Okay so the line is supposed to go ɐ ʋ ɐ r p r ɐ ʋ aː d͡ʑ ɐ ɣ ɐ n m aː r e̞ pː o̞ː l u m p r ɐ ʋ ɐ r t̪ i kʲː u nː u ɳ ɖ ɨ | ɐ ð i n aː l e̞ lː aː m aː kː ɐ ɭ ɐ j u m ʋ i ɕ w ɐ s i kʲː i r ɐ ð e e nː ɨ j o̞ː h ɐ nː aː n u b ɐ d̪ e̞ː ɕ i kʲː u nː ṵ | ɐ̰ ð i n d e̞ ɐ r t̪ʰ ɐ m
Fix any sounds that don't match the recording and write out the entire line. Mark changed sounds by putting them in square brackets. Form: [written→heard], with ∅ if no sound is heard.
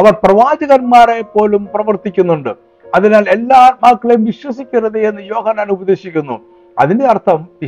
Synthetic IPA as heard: ɐ ʋ ɐ r p r ɐ ʋ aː d͡ʑ ɐ ɣ ɐ n m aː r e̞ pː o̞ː l u m p r ɐ ʋ ɐ r t̪ i kʲː u nː u ɳ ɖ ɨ | ɐ ð i n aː l e̞ lː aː m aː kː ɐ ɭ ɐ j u m ʋ i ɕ w ɐ s i kʲː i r ɐ ð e e nː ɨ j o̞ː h ɐ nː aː n u b ɐ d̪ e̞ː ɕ i kʲː u nː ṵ | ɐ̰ ð i n d e̞ ɐ r t̪ʰ ɐ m